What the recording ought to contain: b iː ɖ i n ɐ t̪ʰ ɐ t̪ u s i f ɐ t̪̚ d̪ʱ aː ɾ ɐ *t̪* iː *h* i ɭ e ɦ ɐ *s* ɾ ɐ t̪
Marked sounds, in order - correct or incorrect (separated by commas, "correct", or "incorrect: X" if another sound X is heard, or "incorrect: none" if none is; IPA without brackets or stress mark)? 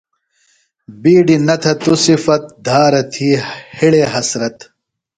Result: incorrect: t̪ʰ, correct, correct